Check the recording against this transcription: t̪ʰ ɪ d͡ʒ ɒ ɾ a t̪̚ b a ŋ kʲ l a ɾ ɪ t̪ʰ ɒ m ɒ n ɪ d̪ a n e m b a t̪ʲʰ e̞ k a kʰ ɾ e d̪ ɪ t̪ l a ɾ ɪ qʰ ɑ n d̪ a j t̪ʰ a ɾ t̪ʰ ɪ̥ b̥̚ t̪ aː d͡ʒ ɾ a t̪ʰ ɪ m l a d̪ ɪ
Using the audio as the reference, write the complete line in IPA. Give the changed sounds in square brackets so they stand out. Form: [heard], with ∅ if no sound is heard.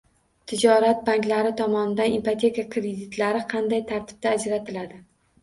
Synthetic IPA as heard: t̪ʰ ɪ d͡ʒ ɒ ɾ a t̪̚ b a ŋ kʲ l a ɾ ɪ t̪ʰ ɒ m ɒ n ɪ d̪ a n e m [p] a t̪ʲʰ e̞ k a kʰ ɾ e d̪ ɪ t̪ l a ɾ ɪ qʰ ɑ n d̪ a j t̪ʰ a ɾ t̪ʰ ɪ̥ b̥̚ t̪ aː d͡ʒ ɾ a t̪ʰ ɪ [∅] l a d̪ ɪ